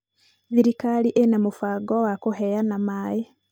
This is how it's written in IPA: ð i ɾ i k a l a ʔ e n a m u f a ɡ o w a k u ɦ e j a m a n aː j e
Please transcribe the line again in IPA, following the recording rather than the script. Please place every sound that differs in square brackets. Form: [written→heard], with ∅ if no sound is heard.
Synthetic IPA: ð i ɾ i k a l [a→i] ʔ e n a m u f a ɡ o w a k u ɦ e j a [m→n] a [n→m] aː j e

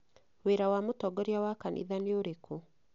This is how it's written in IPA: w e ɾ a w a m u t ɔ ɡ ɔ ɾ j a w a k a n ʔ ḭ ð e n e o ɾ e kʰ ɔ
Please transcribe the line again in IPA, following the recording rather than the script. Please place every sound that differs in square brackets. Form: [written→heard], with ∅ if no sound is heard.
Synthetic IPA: w e ɾ a w a m [u→o] t ɔ ɡ ɔ ɾ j a w a k a n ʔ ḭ ð [e→a] n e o ɾ e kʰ [ɔ→o]

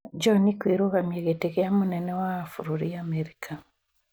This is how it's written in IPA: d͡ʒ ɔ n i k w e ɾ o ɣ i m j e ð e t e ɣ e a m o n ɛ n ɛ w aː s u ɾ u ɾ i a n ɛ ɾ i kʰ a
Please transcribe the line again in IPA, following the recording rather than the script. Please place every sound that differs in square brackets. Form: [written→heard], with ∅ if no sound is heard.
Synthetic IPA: d͡ʒ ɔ n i k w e ɾ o ɣ [i→a] m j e [ð→ɣ] e t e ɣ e a m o n ɛ n ɛ w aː [s→f] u ɾ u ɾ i a [n→m] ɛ ɾ i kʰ a

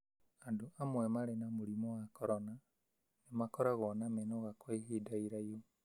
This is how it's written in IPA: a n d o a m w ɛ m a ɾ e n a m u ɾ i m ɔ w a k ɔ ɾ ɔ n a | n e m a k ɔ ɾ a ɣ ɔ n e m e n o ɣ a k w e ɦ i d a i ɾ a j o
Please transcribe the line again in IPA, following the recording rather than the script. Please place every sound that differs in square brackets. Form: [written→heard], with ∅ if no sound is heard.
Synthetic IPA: a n d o a m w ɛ m a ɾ e n a m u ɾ i m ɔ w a k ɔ ɾ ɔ n a | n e m a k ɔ ɾ a ɣ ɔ n [e→a] m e n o ɣ a k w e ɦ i d a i ɾ a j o

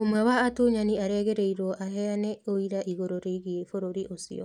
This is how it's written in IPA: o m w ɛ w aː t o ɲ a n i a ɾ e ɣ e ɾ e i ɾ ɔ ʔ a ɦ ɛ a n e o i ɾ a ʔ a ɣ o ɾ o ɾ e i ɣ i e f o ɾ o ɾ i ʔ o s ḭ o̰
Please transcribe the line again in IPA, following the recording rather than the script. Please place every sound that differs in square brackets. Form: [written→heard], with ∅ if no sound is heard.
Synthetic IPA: o m w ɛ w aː t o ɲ a n i a ɾ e ɣ e ɾ e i ɾ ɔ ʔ a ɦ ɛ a n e o i ɾ a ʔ [a→i] ɣ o ɾ o ɾ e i ɣ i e f o ɾ o ɾ i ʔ o s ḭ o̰

